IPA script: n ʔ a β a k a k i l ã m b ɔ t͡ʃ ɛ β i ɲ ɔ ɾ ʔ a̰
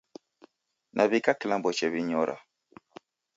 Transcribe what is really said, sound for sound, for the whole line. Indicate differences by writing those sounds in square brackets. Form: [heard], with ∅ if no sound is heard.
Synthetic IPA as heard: n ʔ a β [i] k a k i l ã m b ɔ t͡ʃ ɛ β i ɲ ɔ ɾ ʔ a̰